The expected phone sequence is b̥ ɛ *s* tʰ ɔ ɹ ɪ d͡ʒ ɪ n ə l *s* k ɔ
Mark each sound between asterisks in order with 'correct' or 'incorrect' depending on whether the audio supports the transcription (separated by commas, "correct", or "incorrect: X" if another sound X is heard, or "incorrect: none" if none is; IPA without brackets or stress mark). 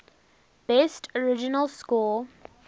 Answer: correct, correct